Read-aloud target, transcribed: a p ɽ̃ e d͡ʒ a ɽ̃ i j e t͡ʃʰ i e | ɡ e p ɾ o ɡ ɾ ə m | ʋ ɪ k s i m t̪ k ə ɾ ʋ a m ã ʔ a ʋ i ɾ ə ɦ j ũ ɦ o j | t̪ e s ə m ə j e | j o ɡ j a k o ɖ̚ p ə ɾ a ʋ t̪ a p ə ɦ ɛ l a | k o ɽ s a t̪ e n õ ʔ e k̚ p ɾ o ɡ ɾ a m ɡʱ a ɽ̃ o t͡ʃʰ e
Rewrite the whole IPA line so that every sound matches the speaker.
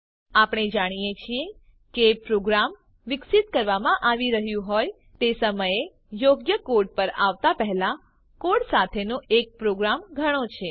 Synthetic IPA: a p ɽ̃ e d͡ʒ a ɽ̃ i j e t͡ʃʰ i e | k e p ɾ o ɡ ɾ a m | ʋ ɪ k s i t̪ k ə ɾ ʋ a m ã ʔ a ʋ i ɾ ə ɦ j ũ ɦ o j | t̪ e s ə m ə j e | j o ɡ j ə k o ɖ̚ p ə ɾ a ʋ t̪ a p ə ɦ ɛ l a | k o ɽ s a t̪ʰ e n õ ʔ e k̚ p ɾ o ɡ ɾ a m ɡʱ ə ɽ̃ o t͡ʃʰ e